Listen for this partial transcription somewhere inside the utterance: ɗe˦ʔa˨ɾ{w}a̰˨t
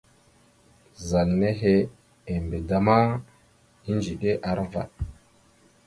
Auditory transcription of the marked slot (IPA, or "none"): v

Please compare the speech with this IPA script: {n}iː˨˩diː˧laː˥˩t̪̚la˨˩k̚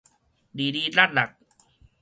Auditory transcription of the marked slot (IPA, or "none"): d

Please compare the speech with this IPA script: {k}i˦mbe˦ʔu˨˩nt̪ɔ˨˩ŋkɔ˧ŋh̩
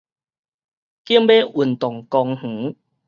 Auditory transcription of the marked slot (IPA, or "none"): k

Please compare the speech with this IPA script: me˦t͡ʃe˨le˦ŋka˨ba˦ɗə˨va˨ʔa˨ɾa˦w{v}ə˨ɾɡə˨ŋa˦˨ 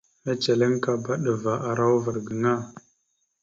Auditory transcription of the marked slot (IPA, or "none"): v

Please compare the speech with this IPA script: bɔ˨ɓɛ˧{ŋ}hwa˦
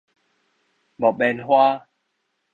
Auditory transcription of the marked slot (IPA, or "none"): n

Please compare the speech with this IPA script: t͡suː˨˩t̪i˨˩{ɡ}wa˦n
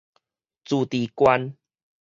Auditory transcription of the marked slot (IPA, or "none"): k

